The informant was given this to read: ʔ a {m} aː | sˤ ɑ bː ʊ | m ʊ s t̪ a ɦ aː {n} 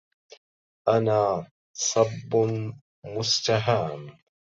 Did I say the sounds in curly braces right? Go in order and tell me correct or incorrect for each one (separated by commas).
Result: incorrect, incorrect